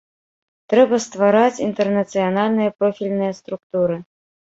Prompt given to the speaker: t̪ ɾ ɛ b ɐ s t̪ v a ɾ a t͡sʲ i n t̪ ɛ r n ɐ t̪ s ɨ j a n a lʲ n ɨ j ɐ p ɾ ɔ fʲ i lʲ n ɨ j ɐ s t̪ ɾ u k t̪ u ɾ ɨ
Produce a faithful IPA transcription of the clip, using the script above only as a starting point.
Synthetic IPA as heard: t̪ ɾ ɛ b ɐ s t̪ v a ɾ a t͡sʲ i n t̪ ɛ r n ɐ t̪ s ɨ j a n a lʲ n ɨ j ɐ p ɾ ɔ fʲ i lʲ n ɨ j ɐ s t̪ ɾ u k t̪ u ɾ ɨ